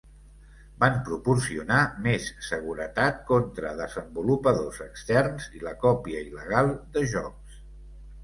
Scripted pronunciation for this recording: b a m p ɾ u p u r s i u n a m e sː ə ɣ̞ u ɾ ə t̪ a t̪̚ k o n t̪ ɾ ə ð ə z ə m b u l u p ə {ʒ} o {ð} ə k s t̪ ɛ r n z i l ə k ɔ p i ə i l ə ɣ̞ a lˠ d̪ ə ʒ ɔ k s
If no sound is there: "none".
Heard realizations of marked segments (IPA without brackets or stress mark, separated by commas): ð, z